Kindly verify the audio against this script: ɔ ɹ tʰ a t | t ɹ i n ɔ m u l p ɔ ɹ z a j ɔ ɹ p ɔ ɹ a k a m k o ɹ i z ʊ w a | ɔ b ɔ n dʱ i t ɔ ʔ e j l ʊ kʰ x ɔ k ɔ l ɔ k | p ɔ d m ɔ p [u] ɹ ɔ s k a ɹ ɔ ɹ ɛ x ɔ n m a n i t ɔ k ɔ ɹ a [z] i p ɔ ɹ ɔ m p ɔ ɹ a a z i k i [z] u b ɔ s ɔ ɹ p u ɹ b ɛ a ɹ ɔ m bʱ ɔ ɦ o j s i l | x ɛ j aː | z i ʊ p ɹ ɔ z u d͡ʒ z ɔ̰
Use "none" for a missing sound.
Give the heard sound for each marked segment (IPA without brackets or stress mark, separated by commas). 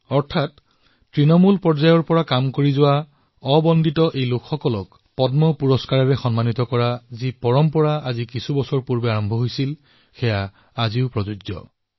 u, z, s